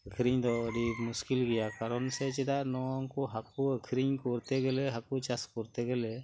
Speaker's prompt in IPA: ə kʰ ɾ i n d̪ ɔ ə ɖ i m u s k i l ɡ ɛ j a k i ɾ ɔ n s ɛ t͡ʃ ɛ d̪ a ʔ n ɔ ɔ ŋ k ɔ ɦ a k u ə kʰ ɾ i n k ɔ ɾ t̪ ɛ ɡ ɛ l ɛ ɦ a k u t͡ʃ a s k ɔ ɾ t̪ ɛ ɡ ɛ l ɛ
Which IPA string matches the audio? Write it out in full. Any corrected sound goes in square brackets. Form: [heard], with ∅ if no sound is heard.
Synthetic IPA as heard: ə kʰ ɾ i [ɲ] d̪ ɔ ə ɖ i m u s k i l ɡ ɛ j a k [a] ɾ ɔ n s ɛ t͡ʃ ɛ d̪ a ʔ n ɔ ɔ ŋ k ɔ ɦ a k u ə kʰ ɾ i [ɲ] k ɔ ɾ t̪ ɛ ɡ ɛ l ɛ ɦ a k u t͡ʃ a s k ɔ ɾ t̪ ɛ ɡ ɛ l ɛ